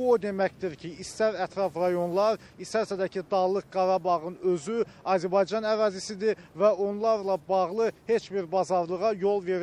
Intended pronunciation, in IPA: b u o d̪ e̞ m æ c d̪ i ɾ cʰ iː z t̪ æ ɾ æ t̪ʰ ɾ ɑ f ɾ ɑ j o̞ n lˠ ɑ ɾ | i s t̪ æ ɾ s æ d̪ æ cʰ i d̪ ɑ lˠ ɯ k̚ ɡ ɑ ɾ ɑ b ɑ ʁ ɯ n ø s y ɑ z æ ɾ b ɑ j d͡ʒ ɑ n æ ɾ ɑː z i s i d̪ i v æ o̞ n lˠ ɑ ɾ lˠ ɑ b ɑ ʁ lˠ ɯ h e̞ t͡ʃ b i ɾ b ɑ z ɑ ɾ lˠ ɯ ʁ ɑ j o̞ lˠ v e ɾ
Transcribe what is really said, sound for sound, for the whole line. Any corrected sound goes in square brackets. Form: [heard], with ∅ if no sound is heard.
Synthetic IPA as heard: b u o d̪ e̞ m æ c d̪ i ɾ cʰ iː [s] t̪ æ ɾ æ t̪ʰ ɾ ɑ f ɾ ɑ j o̞ n lˠ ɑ ɾ | i s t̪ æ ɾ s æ d̪ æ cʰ i d̪ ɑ lˠ ɯ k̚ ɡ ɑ ɾ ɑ b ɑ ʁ ɯ n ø [z] y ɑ z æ ɾ b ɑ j d͡ʒ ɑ n æ ɾ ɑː z i s i d̪ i v æ o̞ n lˠ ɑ ɾ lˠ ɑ b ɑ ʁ lˠ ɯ h e̞ t͡ʃ b i ɾ b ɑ z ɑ ɾ lˠ ɯ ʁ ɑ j o̞ lˠ v e ɾ